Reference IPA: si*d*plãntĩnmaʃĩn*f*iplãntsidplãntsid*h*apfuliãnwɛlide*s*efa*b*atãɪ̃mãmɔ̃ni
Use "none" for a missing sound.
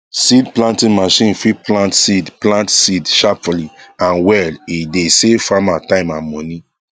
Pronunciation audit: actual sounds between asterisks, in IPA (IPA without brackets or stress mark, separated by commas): d, f, ʃ, s, m